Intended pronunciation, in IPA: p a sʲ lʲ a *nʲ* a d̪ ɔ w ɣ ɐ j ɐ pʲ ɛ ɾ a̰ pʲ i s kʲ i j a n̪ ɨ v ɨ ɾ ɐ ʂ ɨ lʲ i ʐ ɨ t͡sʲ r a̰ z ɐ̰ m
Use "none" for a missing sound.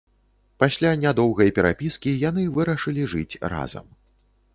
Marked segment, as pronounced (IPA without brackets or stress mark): nʲ